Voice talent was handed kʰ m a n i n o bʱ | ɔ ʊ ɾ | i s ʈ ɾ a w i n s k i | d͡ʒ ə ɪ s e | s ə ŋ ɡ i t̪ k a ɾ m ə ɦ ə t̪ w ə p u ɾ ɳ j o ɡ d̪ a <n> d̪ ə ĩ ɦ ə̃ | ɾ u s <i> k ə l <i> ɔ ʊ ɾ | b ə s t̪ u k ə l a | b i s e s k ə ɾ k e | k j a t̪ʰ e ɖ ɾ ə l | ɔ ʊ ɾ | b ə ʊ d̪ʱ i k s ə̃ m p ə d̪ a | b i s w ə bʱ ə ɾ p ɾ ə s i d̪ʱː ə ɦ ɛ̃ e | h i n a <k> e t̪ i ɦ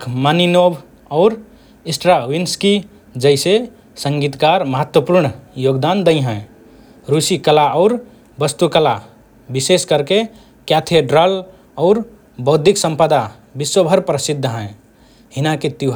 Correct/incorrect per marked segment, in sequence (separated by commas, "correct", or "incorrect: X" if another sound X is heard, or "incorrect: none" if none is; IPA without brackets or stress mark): correct, correct, incorrect: a, correct